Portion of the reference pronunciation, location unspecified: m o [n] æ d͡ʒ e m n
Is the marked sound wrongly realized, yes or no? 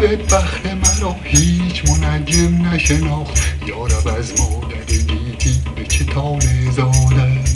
no